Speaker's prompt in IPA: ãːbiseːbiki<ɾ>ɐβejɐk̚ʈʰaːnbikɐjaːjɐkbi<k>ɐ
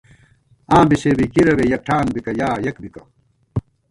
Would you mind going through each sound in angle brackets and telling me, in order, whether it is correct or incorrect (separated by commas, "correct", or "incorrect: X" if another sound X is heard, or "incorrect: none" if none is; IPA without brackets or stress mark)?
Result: correct, correct